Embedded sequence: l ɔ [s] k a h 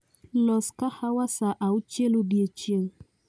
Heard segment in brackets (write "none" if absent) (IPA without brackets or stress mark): s